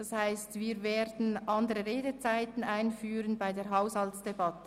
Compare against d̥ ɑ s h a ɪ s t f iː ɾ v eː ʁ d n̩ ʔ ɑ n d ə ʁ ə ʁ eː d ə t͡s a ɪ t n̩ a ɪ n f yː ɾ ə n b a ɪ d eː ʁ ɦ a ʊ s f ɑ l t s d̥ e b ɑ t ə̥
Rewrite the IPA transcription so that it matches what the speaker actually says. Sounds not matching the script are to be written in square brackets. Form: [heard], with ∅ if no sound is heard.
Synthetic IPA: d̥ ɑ s h a ɪ s t [v] iː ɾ v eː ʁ d n̩ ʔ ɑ n d ə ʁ ə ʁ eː d ə t͡s a ɪ t n̩ a ɪ n f yː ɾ ə n b a ɪ d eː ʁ ɦ a ʊ s [h] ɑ l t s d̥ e b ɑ t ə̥